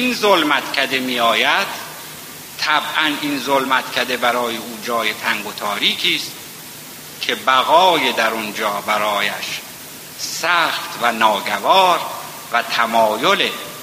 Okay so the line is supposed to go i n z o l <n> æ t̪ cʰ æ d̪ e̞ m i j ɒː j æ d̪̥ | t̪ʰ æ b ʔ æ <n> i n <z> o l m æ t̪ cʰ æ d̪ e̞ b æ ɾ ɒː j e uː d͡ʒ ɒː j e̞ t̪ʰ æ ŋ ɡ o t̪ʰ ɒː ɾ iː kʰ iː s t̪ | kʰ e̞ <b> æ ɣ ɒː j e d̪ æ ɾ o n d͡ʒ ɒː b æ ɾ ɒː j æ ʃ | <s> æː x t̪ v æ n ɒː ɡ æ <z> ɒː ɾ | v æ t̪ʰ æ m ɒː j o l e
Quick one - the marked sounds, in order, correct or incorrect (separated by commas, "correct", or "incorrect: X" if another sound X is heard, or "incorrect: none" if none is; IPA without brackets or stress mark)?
incorrect: m, correct, correct, correct, correct, incorrect: v